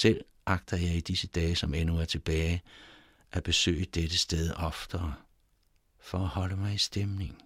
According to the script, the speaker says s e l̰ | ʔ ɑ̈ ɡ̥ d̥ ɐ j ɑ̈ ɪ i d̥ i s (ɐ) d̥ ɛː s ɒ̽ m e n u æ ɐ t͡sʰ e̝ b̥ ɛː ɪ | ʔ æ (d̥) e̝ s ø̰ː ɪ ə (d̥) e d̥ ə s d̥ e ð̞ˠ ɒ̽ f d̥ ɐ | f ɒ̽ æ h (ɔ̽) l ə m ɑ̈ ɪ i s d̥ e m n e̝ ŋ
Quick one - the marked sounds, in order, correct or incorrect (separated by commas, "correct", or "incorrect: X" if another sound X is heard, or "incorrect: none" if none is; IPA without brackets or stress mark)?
incorrect: ə, incorrect: b̥, correct, incorrect: ɒ̽